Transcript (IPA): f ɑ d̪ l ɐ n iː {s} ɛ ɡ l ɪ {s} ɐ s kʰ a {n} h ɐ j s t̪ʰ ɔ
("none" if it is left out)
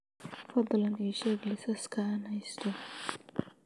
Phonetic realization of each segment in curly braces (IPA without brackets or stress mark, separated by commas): ʃ, s, n